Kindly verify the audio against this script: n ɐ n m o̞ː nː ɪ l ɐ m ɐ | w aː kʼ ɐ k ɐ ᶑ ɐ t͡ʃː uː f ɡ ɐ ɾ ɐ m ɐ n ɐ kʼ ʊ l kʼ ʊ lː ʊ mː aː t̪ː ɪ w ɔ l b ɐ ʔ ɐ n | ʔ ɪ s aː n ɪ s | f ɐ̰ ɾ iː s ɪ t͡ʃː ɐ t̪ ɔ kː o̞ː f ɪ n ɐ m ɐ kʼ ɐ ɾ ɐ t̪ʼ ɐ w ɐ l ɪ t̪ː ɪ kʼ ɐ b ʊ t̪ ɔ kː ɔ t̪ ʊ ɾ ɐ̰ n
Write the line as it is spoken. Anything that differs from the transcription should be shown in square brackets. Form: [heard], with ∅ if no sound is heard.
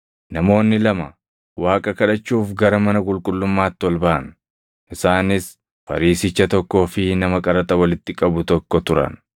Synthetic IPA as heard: n ɐ [∅] m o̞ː nː ɪ l ɐ m ɐ | w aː kʼ ɐ k ɐ ᶑ ɐ t͡ʃː uː f ɡ ɐ ɾ ɐ m ɐ n ɐ kʼ ʊ l kʼ ʊ lː ʊ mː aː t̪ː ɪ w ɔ l b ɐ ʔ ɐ n | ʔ ɪ s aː n ɪ s | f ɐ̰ ɾ iː s ɪ t͡ʃː ɐ t̪ ɔ kː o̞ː f ɪ n ɐ m ɐ kʼ ɐ ɾ ɐ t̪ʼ ɐ w ɐ l ɪ t̪ː ɪ kʼ ɐ b ʊ t̪ ɔ kː ɔ t̪ ʊ ɾ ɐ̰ n